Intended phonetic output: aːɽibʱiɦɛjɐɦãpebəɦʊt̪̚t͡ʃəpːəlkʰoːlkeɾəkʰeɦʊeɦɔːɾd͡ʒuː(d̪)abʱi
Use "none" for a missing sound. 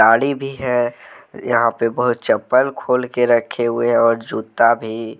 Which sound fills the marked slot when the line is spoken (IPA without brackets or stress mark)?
t̪